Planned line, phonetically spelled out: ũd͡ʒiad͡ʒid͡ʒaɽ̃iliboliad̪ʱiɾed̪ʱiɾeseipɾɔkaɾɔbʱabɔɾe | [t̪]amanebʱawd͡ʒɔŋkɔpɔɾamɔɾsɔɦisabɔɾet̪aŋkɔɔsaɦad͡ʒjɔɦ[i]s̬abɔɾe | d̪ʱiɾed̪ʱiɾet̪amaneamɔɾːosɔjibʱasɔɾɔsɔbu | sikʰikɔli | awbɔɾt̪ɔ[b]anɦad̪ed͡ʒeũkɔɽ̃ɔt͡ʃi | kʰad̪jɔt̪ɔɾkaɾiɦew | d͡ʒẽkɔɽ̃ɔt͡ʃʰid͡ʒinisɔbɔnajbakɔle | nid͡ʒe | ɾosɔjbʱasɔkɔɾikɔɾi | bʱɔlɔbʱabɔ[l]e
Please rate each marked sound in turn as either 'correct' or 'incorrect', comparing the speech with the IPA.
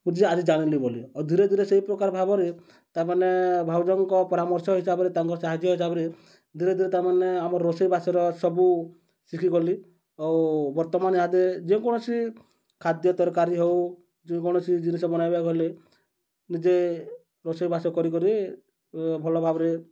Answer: correct, correct, incorrect, incorrect

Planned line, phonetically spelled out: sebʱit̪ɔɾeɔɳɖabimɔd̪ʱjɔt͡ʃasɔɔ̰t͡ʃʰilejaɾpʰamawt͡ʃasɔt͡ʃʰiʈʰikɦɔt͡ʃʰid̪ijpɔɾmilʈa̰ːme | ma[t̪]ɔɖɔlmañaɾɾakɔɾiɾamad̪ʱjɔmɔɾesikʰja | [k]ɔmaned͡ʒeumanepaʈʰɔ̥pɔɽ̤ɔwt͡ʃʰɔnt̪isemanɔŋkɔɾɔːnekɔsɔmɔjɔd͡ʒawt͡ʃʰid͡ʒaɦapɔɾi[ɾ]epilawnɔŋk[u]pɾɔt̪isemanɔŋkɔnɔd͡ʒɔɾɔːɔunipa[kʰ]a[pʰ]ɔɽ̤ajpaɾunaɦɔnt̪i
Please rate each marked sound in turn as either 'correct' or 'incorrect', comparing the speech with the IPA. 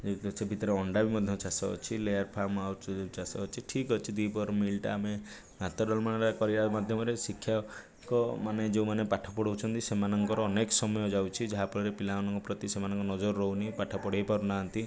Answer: correct, correct, correct, incorrect, incorrect, incorrect

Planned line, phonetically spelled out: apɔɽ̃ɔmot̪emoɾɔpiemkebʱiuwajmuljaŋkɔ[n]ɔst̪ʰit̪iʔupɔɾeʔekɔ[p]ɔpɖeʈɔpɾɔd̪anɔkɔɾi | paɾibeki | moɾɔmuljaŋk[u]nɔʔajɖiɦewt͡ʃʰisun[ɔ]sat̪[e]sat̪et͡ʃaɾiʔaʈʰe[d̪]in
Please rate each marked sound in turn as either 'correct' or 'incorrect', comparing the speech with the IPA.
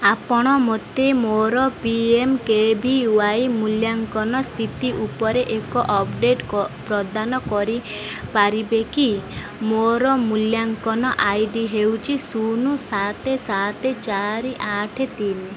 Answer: correct, incorrect, incorrect, incorrect, correct, incorrect

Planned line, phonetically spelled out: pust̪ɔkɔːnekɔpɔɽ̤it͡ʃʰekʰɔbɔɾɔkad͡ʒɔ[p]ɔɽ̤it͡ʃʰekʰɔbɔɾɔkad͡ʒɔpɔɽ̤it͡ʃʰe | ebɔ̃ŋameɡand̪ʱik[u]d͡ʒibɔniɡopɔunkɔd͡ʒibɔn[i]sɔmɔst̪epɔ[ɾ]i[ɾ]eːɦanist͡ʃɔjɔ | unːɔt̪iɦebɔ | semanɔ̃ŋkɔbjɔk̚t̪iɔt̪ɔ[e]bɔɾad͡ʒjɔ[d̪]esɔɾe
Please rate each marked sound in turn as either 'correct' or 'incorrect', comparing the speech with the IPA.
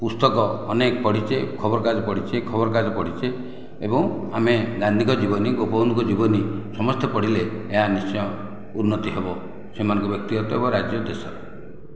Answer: correct, incorrect, correct, incorrect, incorrect, correct, correct

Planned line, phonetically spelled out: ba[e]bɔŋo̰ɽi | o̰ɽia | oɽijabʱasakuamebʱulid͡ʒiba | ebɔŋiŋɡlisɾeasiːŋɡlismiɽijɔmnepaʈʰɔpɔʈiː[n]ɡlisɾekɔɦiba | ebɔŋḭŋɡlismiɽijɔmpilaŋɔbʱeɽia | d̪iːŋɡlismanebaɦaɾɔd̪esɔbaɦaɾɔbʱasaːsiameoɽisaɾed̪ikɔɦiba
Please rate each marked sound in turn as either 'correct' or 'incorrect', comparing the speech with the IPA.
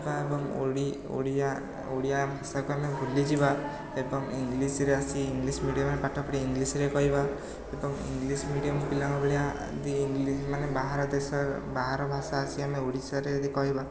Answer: correct, incorrect

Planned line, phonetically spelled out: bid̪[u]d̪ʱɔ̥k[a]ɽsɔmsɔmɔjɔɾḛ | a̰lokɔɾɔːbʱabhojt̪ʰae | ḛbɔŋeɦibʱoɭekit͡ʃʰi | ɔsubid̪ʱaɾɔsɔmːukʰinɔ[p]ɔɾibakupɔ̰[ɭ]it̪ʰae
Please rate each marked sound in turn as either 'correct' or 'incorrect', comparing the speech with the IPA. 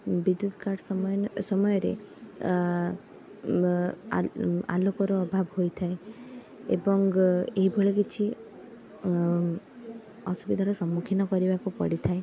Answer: correct, correct, incorrect, incorrect

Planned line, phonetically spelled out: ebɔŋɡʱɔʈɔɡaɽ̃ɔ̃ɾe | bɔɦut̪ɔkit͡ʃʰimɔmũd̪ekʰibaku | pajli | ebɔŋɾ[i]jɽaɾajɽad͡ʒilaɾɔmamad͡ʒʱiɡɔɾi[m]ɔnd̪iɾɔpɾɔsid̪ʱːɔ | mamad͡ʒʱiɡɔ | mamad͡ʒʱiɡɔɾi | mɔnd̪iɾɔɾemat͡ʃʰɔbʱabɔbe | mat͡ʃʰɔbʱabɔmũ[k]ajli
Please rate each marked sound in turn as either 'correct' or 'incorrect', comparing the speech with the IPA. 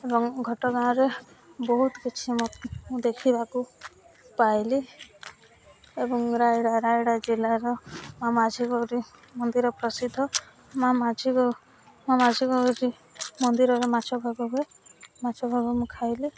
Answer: incorrect, correct, incorrect

